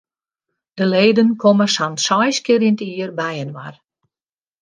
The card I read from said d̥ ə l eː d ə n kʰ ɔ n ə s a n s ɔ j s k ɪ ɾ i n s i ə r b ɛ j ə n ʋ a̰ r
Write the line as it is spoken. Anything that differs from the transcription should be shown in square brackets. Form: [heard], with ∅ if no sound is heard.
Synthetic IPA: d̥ ə l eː d ə n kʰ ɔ [m] ə s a n s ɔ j s k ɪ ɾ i n [t] i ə r b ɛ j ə n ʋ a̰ r